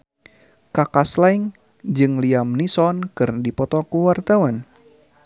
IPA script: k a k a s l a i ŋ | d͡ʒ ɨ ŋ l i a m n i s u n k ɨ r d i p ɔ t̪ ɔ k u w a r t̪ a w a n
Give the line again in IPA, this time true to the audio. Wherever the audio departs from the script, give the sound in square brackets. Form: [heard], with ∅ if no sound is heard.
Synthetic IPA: k a k a s l a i ŋ | d͡ʒ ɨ ŋ l i a m n i s [ɔ] n k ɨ r d i p ɔ t̪ ɔ k u w a r t̪ a w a n